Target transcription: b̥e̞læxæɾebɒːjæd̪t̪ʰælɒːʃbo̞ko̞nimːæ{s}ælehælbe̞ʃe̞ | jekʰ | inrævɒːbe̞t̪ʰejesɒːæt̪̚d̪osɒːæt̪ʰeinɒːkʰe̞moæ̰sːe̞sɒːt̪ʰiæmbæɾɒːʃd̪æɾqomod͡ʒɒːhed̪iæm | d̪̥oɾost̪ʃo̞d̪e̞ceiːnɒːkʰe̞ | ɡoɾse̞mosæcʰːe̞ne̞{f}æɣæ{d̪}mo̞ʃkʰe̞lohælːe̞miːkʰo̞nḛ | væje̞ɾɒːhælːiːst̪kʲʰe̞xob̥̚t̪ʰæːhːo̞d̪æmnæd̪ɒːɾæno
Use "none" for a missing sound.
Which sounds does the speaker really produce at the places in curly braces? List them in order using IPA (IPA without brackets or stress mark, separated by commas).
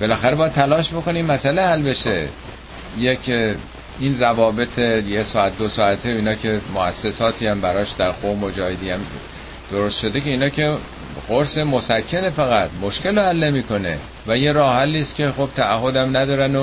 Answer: s, f, t̪